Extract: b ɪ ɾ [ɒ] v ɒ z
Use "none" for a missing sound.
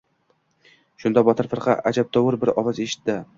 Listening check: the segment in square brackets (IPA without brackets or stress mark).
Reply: ɒ